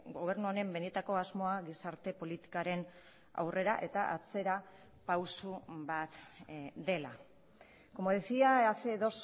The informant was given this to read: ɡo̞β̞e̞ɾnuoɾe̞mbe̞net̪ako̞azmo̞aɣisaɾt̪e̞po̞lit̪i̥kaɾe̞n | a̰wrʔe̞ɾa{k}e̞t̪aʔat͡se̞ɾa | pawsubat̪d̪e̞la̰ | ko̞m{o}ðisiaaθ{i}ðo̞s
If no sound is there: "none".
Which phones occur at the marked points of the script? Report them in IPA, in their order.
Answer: ʔ, o, e

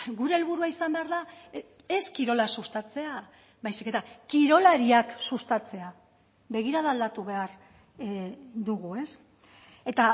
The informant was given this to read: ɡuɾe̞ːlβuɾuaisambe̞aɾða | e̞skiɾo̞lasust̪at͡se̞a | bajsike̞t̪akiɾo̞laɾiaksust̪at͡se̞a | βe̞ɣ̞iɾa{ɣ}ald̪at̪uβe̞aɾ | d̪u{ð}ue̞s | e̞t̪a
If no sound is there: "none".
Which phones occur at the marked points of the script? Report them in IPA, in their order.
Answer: ð, ɣ

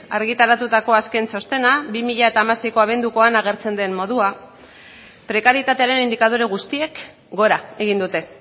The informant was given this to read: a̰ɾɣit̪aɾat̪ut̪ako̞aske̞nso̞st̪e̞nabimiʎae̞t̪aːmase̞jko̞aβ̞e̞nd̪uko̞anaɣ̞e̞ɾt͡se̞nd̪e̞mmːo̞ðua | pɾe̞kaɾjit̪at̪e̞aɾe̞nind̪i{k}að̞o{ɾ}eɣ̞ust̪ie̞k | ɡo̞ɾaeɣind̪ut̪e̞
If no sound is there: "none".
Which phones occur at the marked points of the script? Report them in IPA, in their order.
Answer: k, ɾ

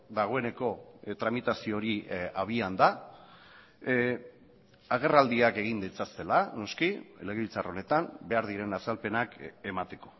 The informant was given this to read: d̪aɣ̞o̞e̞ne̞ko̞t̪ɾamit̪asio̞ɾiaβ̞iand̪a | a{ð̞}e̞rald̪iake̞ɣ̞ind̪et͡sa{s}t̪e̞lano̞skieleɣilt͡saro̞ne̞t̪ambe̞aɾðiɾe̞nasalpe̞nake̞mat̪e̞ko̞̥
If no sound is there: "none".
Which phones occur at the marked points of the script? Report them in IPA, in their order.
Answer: ɣ̞, s

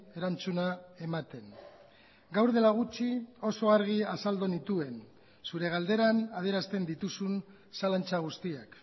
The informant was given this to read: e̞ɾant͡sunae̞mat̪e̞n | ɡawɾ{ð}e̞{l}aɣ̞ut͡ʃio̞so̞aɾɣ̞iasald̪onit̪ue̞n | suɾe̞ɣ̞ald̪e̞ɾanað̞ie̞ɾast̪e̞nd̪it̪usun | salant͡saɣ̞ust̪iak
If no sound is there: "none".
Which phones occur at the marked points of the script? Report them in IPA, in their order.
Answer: ð, l

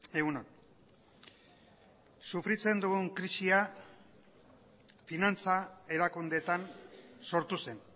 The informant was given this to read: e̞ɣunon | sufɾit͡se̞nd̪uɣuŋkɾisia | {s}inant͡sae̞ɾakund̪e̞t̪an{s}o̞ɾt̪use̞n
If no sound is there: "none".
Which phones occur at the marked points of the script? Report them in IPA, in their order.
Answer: f, s

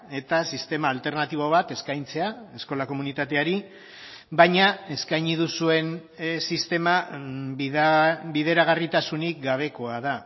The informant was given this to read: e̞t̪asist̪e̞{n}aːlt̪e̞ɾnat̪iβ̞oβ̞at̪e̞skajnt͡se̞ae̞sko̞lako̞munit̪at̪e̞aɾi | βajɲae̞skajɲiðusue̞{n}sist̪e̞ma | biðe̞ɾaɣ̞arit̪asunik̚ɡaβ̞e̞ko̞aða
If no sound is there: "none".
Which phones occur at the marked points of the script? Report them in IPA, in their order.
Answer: m, n

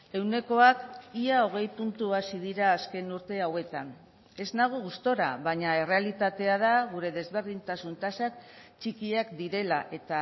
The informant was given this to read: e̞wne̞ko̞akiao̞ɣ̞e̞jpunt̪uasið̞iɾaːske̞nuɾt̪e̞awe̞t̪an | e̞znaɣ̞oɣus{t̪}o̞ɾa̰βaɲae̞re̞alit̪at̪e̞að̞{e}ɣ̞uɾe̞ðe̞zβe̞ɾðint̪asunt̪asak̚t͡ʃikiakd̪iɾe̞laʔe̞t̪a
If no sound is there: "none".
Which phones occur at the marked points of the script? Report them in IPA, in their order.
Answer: t̪, a

